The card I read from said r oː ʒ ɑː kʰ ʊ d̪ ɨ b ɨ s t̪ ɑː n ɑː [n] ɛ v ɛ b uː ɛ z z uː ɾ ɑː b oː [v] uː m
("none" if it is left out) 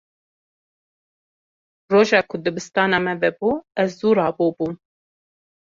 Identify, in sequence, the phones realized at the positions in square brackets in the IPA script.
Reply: m, b

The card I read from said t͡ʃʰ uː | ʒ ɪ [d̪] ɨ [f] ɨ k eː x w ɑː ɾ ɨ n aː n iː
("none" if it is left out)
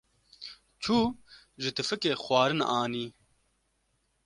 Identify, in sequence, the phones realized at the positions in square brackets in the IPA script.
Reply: t̪, f

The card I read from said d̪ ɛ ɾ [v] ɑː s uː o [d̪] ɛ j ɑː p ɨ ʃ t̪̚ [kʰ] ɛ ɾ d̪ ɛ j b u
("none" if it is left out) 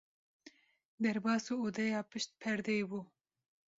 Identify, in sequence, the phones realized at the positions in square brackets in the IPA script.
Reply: b, d̪, pʰ

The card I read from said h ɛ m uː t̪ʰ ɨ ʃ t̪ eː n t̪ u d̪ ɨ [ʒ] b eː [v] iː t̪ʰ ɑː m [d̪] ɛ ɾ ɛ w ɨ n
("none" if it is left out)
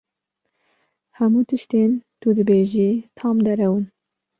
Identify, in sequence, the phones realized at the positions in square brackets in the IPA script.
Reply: none, ʒ, d̪

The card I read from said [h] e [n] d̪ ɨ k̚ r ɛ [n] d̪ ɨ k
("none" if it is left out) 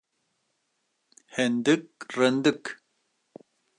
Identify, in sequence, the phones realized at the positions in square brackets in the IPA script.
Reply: h, n, n

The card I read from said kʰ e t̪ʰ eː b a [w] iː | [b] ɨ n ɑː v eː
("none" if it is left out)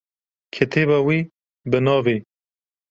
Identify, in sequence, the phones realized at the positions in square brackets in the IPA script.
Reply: w, b

